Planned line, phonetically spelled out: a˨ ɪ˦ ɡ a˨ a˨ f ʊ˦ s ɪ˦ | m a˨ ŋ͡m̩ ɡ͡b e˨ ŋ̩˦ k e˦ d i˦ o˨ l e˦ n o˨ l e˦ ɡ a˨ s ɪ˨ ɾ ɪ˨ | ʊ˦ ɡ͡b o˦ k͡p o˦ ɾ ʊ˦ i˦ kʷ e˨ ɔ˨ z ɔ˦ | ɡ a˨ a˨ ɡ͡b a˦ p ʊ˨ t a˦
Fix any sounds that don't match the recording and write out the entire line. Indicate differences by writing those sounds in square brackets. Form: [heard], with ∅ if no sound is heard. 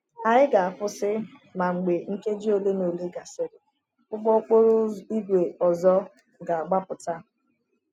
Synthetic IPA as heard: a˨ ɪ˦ ɡ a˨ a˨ f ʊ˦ s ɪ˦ | m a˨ ŋ͡m̩ ɡ͡b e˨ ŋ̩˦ k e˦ [d͡ʒ] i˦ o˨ l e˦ n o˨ l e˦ ɡ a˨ s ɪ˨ ɾ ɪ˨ | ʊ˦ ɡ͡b [ɔ˦] k͡p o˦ ɾ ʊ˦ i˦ [ɡʷ] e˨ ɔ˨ z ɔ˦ | ɡ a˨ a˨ ɡ͡b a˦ p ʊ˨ t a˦